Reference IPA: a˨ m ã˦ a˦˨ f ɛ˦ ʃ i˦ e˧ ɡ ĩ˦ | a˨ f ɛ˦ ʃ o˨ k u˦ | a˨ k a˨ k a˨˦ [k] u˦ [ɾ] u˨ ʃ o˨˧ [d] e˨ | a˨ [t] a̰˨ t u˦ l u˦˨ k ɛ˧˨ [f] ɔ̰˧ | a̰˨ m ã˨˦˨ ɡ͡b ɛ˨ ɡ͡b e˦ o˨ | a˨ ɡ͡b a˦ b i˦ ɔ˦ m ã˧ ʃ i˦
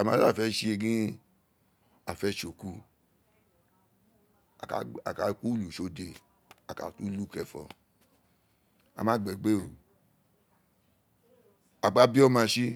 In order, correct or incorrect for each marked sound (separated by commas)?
correct, incorrect, correct, incorrect, correct